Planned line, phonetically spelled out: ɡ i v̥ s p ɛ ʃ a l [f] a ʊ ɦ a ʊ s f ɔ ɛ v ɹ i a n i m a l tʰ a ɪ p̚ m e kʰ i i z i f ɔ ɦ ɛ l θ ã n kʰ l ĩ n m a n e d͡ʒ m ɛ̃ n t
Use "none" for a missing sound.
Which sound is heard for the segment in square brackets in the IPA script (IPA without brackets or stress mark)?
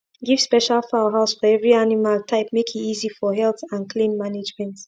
f